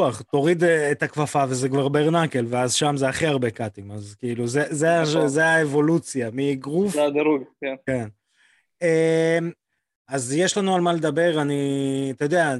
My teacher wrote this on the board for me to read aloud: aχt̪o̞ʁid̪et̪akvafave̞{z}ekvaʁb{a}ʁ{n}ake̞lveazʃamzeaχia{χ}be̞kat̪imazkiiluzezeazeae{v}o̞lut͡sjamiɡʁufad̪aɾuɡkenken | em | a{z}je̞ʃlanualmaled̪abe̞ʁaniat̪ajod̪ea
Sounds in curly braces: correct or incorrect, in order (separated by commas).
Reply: correct, incorrect, correct, incorrect, correct, correct